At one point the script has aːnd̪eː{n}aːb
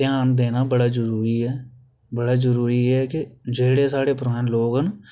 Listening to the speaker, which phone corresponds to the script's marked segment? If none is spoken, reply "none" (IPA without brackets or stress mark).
n